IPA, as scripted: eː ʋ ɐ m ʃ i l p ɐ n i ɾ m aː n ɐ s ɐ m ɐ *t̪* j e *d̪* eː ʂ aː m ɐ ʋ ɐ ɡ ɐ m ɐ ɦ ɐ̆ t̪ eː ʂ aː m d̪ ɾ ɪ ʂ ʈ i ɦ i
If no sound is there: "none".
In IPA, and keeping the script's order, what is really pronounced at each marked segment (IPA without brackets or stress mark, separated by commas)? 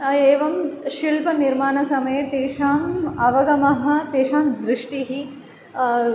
none, t̪